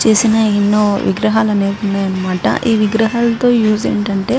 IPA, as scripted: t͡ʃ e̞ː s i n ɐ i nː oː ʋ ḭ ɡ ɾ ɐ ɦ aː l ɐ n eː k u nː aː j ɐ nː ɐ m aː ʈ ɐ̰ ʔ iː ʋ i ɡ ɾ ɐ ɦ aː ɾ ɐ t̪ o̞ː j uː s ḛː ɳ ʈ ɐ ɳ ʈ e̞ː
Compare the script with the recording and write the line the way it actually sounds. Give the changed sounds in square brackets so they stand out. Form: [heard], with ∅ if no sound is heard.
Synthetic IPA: t͡ʃ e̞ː s i n ɐ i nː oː ʋ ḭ ɡ ɾ ɐ ɦ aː l ɐ n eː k u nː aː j ɐ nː ɐ m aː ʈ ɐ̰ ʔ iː ʋ i ɡ ɾ ɐ ɦ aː [l] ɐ t̪ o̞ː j uː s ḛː ɳ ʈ ɐ ɳ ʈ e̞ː